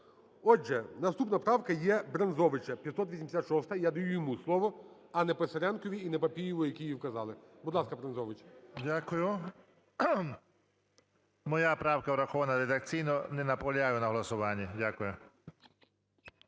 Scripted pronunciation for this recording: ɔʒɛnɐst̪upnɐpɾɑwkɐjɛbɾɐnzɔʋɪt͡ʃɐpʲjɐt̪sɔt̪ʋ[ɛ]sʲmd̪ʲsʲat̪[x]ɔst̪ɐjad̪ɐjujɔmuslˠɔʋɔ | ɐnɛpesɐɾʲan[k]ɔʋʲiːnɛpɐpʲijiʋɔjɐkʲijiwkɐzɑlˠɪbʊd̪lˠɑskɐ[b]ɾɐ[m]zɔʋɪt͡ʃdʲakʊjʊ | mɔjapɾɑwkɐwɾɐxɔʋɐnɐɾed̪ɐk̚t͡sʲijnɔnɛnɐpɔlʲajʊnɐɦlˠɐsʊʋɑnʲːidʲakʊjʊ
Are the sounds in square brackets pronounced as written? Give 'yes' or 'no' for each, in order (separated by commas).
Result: no, no, yes, yes, no